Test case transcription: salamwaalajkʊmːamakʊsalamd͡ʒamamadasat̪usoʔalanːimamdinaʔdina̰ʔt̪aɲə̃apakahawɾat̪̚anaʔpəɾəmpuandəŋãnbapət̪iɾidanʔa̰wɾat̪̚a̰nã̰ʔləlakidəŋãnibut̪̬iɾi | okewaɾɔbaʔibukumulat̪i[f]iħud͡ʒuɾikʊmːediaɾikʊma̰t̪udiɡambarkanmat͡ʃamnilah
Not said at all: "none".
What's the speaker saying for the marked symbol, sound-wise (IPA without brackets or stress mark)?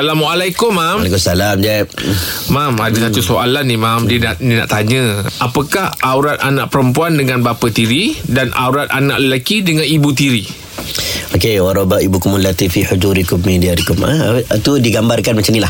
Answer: f